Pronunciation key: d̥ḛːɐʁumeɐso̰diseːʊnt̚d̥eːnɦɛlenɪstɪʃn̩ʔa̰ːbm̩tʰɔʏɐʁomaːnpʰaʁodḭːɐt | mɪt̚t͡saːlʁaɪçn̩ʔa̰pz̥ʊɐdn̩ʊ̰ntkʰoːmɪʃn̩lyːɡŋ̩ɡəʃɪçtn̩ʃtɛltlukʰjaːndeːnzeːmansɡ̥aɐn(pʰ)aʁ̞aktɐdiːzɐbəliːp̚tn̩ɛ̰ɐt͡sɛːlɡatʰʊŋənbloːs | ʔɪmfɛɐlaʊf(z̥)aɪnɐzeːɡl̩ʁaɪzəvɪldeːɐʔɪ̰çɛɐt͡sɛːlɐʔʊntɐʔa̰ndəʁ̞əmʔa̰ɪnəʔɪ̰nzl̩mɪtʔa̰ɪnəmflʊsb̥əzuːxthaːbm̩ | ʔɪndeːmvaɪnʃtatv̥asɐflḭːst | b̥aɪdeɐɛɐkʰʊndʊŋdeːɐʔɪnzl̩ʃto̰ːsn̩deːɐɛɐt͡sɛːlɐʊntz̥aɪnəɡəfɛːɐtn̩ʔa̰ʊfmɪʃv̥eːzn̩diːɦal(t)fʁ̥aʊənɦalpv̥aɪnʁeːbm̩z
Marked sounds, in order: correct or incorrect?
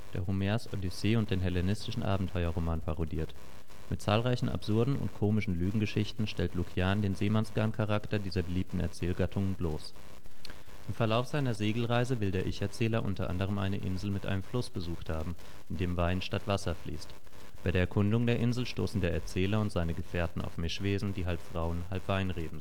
incorrect: kʰ, correct, incorrect: p

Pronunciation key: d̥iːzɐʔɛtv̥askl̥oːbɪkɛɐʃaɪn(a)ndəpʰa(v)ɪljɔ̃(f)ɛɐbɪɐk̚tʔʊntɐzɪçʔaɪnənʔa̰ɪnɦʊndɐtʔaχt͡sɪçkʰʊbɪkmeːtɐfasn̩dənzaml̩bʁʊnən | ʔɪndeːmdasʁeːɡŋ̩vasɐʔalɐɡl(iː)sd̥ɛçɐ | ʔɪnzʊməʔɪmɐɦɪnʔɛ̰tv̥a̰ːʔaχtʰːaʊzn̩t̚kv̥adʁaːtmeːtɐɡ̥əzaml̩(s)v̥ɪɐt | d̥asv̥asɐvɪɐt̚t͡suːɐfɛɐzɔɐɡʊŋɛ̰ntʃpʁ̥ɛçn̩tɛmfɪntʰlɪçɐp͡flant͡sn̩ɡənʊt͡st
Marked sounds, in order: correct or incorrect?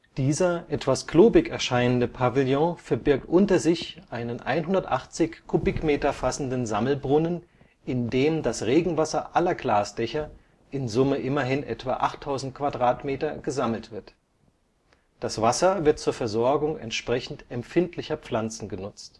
incorrect: ə, correct, correct, incorrect: aː, incorrect: t

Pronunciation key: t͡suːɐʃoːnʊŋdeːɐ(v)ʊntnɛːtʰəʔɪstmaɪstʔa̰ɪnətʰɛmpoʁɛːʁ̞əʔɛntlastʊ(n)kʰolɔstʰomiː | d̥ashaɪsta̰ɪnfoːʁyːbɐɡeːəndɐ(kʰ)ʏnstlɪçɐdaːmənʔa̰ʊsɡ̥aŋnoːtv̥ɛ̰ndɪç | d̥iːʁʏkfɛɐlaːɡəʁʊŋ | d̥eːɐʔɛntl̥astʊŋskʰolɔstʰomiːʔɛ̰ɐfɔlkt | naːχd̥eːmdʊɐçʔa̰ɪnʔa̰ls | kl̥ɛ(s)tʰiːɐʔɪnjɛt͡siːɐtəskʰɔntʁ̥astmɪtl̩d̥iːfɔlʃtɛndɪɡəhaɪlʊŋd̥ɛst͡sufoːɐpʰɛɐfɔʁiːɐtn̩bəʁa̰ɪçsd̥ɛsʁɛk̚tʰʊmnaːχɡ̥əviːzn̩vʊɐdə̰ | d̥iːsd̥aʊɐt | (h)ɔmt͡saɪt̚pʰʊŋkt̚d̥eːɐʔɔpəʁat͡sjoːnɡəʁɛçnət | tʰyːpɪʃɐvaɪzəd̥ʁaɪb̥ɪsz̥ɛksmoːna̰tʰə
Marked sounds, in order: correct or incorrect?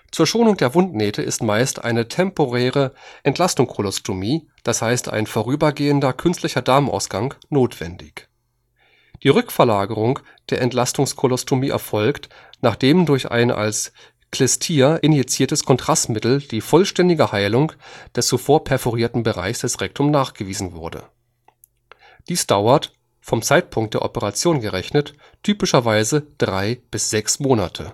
correct, incorrect: ŋ, correct, correct, incorrect: f

